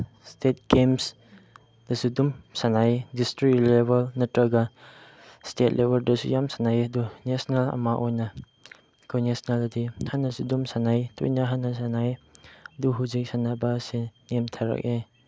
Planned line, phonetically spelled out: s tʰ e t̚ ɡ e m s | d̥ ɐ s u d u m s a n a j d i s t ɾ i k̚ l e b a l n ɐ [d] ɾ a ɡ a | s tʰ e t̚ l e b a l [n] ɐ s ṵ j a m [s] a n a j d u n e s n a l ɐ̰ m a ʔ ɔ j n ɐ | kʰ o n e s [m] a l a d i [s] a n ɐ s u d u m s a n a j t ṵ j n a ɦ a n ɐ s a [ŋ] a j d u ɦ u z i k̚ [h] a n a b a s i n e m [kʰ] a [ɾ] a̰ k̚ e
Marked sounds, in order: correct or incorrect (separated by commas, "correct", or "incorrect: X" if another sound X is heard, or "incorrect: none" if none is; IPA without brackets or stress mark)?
incorrect: t, incorrect: d, correct, incorrect: n, incorrect: h, incorrect: n, incorrect: s, incorrect: tʰ, correct